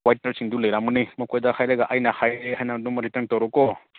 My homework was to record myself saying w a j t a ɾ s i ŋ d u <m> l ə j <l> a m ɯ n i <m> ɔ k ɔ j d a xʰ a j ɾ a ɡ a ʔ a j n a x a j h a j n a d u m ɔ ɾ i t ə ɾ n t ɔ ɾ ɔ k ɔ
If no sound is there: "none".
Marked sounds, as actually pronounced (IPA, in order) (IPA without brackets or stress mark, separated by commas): none, ɾ, m